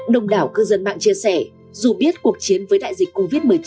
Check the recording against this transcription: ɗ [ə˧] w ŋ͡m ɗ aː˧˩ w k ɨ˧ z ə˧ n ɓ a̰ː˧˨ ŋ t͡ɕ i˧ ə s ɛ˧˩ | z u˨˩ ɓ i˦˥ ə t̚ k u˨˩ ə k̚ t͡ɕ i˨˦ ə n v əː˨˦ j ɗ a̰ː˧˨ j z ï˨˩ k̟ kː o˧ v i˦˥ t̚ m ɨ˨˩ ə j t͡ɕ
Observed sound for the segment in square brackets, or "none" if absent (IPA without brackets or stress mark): ə˧